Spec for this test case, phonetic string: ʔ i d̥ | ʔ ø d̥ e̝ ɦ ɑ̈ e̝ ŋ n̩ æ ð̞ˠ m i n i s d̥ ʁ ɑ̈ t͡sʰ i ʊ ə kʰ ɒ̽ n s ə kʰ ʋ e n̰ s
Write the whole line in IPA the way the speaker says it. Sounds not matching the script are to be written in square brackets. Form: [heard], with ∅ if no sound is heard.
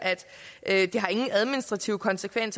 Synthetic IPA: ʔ [æ] d̥ | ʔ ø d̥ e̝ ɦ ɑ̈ e̝ ŋ n̩ æ ð̞ˠ m i n i s d̥ ʁ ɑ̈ t͡sʰ i ʊ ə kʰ ɒ̽ n s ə kʰ ʋ e n̰ s

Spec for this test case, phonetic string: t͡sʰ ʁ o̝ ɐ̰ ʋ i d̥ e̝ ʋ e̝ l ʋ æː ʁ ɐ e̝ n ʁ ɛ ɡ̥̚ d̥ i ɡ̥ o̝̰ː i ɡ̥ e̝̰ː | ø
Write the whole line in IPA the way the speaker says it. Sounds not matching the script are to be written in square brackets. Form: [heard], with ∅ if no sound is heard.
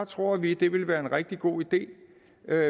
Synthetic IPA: t͡sʰ ʁ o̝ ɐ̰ ʋ i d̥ e̝ ʋ e̝ l ʋ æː [∅] ɐ e̝ n ʁ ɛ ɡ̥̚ d̥ i ɡ̥ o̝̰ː i [d̥] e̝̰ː | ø

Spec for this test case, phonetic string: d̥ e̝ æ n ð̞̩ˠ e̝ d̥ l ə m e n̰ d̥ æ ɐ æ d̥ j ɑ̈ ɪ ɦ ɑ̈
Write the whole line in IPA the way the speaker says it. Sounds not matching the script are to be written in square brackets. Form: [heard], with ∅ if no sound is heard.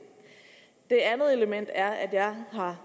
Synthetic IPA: d̥ e̝ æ n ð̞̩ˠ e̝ [∅] l ə m e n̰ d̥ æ ɐ æ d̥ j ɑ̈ ɪ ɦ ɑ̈

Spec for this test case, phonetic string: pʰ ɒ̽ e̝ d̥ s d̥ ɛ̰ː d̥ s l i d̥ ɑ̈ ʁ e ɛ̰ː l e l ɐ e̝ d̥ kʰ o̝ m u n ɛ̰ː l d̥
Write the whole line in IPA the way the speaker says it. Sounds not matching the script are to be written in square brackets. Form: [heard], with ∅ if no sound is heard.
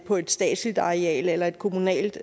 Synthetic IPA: pʰ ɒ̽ e̝ d̥ s d̥ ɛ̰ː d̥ s l i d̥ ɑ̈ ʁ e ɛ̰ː l e l ɐ e̝ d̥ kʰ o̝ m u n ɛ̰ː l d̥

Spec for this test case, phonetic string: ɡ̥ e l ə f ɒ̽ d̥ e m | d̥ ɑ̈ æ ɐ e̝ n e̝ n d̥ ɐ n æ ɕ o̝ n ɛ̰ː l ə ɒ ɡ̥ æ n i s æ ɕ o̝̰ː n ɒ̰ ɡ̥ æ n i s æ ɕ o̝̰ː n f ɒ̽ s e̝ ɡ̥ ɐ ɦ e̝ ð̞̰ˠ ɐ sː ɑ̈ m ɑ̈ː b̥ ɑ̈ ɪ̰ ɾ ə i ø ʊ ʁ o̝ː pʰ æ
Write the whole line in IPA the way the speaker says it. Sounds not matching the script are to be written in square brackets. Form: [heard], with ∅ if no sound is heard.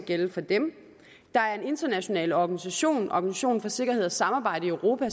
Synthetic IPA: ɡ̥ e l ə f ɒ̽ d̥ e m | d̥ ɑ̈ æ ɐ e̝ n e̝ n d̥ ɐ n æ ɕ o̝ n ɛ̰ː l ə ɒ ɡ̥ æ n i s æ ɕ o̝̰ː n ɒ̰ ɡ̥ æ n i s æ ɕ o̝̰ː n f ɒ̽ s e̝ ɡ̥ ɐ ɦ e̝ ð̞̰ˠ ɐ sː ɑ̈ m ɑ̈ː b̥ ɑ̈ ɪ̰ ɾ ə i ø ʊ ʁ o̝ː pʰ æ

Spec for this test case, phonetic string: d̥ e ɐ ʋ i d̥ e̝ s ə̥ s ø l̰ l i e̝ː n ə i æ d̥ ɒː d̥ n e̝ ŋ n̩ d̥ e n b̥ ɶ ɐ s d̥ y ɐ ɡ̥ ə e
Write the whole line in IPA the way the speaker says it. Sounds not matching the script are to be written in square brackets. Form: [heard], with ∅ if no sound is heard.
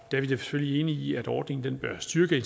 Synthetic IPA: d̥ [æ] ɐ ʋ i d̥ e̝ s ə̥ [f] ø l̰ l i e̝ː n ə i æ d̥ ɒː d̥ n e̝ ŋ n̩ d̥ e n b̥ ɶ ɐ s d̥ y ɐ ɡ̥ ə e

